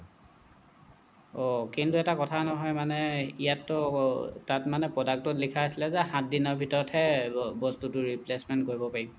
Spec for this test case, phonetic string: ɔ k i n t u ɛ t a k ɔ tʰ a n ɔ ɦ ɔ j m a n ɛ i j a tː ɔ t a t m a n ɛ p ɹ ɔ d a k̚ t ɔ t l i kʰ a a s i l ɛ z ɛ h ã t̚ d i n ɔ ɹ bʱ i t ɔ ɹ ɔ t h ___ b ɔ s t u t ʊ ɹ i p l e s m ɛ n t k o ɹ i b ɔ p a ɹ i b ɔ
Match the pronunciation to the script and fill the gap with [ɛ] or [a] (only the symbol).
ɛ